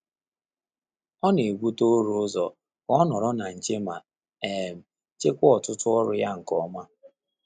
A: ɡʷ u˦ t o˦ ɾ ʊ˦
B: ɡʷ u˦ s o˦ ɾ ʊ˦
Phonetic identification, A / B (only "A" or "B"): A